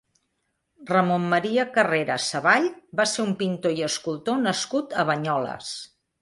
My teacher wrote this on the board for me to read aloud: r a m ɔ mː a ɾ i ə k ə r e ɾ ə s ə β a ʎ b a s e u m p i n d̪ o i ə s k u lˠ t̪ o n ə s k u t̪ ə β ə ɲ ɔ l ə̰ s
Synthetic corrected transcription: r ə m o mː ə ɾ i ə k ə r e ɾ ə s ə β a ʎ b a s e u m p i n t̪ o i ə s k u lˠ t̪ o n ə s k u t̪ ə β ə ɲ ɔ l ə̰ s